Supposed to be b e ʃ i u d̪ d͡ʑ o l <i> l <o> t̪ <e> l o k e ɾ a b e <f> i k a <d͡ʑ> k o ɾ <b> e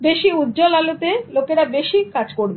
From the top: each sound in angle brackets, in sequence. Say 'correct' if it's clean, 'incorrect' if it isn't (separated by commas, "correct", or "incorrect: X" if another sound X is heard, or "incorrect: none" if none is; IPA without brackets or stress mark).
incorrect: a, correct, correct, incorrect: ʃ, correct, correct